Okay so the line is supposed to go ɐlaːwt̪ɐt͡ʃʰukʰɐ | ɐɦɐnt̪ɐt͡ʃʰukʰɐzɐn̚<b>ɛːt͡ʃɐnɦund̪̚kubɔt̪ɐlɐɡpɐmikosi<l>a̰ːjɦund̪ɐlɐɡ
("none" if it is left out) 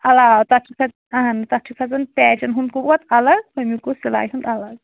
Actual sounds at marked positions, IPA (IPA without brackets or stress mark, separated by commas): p, l